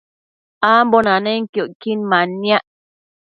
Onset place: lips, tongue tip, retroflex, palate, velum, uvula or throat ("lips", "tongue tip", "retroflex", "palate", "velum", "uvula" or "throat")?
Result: lips